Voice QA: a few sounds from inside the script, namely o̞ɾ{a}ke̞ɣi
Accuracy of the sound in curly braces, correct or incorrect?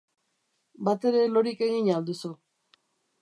incorrect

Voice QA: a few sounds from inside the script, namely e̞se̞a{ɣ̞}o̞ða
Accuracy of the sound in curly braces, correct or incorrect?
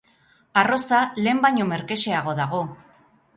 correct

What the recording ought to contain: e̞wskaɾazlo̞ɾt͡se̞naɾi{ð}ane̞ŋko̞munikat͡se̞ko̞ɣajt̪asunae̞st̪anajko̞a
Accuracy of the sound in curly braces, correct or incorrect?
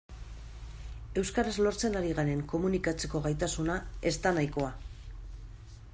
incorrect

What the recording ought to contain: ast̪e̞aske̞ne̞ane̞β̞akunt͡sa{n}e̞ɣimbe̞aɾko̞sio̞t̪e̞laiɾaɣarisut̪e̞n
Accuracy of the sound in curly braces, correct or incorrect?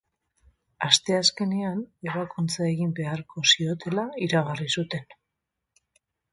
incorrect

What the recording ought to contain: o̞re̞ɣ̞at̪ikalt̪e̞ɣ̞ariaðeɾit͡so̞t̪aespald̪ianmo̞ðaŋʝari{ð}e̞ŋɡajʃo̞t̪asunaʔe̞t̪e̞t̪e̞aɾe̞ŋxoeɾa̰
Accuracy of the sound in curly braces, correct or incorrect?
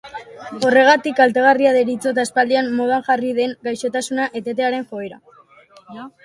correct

